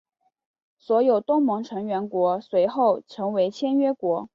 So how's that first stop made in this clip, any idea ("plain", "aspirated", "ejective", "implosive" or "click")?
plain